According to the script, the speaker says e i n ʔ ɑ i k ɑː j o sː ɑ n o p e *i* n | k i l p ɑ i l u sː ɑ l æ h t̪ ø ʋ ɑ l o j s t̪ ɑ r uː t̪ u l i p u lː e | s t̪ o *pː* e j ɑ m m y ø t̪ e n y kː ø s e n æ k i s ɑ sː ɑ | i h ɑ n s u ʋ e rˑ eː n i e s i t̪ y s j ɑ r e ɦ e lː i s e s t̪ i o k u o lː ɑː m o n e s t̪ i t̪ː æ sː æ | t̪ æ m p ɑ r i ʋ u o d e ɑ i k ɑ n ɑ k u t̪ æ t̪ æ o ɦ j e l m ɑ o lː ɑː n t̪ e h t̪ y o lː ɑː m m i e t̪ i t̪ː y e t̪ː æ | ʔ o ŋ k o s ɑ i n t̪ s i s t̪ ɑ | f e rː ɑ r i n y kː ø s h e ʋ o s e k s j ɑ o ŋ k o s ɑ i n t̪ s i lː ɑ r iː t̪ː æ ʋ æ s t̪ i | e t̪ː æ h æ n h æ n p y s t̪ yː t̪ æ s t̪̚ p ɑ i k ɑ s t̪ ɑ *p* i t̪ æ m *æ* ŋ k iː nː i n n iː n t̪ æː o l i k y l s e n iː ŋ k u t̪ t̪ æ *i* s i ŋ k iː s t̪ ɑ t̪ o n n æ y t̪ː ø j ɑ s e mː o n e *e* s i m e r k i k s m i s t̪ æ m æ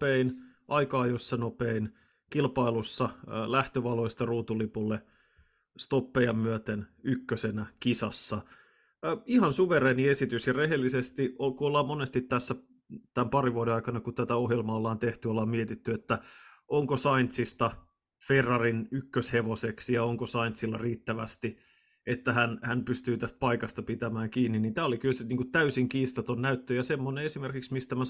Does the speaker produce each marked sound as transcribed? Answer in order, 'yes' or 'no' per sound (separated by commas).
yes, yes, yes, no, no, yes